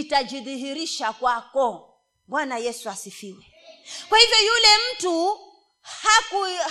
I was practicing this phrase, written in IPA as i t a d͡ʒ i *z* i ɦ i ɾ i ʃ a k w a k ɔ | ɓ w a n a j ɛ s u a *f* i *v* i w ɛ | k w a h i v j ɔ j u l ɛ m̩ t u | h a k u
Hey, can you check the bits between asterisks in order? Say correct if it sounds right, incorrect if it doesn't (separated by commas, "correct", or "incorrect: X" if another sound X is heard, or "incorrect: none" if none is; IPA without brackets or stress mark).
incorrect: ð, incorrect: s, incorrect: f